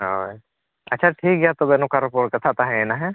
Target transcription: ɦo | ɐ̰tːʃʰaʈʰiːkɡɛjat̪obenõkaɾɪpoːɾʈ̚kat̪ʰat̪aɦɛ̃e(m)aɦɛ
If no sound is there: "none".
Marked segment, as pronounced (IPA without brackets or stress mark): n